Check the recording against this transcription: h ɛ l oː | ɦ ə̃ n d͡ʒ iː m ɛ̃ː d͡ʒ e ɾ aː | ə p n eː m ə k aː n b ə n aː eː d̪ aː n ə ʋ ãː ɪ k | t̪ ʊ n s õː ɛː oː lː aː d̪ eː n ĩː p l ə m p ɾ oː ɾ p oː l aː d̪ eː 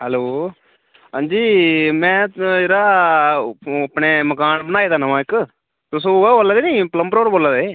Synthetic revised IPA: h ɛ l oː | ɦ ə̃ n d͡ʒ iː m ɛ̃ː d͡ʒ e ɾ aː | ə p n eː m ə k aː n b ə n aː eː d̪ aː n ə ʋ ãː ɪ k | t̪ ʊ s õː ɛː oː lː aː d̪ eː n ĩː p l ə m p ɾ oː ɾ b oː l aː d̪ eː